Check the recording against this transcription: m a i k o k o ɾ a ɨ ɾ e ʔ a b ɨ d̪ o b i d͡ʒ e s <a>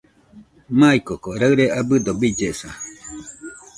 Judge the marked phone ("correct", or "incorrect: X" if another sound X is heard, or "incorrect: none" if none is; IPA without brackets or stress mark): correct